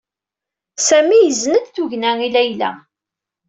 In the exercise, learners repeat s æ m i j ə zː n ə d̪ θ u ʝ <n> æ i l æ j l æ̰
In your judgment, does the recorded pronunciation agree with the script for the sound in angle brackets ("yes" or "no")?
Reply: yes